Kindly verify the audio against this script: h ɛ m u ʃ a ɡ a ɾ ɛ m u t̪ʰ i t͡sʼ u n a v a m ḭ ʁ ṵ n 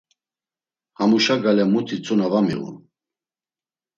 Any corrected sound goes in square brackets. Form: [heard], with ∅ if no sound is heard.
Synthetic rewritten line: h [a] m u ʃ a ɡ a [l] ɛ m u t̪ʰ i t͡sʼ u n a v a m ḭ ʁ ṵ n